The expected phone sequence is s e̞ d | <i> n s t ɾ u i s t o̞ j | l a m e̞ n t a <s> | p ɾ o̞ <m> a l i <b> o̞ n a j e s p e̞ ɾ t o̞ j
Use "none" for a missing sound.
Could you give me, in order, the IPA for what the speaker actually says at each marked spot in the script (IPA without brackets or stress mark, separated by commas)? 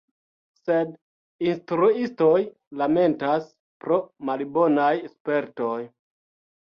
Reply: i, s, m, b